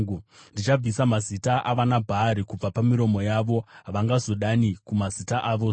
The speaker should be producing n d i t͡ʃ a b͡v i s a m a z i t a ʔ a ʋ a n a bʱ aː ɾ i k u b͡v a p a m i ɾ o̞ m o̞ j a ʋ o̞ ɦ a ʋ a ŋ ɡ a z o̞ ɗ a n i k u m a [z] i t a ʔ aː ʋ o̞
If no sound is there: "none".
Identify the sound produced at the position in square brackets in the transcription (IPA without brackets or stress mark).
z